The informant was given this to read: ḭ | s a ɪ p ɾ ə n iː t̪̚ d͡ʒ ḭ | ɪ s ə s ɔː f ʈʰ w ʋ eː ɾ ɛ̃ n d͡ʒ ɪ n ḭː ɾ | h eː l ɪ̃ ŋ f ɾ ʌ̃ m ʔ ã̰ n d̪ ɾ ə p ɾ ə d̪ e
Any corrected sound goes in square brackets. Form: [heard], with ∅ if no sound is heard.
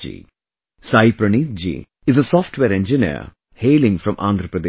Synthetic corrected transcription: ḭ | s a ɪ p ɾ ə n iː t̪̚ d͡ʒ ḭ | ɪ [z] ə s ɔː f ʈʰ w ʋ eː ɾ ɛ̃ n d͡ʒ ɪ n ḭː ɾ | h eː l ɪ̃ ŋ f ɾ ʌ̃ m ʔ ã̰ n d̪ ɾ ə p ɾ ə d̪ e